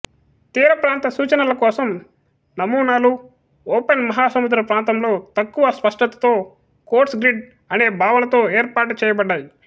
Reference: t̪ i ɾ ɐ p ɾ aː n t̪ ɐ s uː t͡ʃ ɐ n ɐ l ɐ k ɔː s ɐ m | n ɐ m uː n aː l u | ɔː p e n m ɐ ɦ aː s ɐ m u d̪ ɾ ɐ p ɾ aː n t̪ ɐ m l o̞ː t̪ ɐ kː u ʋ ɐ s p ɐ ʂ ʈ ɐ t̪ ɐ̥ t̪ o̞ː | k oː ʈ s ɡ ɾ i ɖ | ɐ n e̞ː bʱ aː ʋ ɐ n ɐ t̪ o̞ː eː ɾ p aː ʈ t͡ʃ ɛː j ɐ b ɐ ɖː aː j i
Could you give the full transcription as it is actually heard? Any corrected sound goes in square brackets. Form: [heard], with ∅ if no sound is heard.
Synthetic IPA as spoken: t̪ [iː] ɾ ɐ p ɾ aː n t̪ ɐ s uː t͡ʃ ɐ n ɐ l ɐ k ɔː s ɐ m | n ɐ m uː n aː l u | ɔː p e n m ɐ ɦ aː s ɐ m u d̪ ɾ ɐ p ɾ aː n t̪ ɐ m l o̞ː t̪ ɐ kː u ʋ ɐ s p ɐ ʂ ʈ ɐ t̪ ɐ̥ t̪ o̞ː | k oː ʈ s ɡ ɾ i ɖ | ɐ n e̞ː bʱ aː ʋ ɐ n ɐ t̪ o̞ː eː ɾ p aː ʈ t͡ʃ ɛː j ɐ b ɐ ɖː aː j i